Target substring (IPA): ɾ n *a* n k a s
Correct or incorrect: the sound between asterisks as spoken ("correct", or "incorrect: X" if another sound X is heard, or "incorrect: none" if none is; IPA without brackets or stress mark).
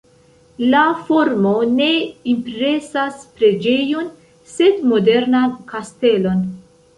correct